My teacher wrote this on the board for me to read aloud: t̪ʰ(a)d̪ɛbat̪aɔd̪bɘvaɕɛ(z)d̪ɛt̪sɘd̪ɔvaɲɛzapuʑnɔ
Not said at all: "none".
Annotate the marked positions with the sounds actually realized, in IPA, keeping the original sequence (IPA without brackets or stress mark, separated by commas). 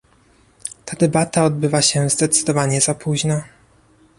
a, z